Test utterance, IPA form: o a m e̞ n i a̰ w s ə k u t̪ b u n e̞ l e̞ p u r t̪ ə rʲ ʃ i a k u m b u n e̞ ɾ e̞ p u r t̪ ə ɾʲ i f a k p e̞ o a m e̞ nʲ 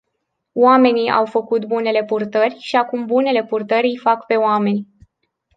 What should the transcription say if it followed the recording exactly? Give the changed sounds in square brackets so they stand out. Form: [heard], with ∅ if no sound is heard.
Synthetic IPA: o a m e̞ n i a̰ w [f] ə k u t̪ b u n e̞ l e̞ p u r t̪ ə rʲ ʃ i a k u m b u n e̞ [l] e̞ p u r t̪ ə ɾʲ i f a k p e̞ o a m e̞ nʲ